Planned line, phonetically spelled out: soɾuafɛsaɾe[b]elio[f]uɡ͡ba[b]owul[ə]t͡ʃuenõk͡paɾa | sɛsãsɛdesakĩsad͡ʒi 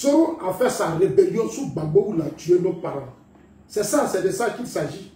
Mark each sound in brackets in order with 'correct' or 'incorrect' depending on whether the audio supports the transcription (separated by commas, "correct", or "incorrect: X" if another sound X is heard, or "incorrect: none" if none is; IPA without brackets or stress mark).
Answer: correct, incorrect: s, incorrect: ɡ͡b, incorrect: a